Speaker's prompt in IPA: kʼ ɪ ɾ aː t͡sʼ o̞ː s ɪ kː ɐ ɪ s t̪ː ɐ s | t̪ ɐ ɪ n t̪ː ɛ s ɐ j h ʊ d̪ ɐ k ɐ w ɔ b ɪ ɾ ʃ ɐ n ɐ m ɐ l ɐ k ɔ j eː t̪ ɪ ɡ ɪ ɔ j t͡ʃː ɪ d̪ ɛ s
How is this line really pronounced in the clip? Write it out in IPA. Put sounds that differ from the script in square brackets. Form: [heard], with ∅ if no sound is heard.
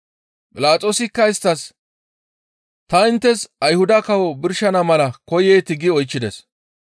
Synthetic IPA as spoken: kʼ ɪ [l] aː t͡sʼ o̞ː s ɪ kː ɐ ɪ s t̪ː ɐ s | t̪ ɐ ɪ n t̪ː ɛ s ɐ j h ʊ d̪ ɐ k ɐ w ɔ b ɪ ɾ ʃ ɐ n ɐ m ɐ l ɐ k ɔ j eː t̪ ɪ ɡ ɪ ɔ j t͡ʃː ɪ d̪ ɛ s